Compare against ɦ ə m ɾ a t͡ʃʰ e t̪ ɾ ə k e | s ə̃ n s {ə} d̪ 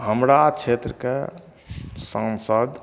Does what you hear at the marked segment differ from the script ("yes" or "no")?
no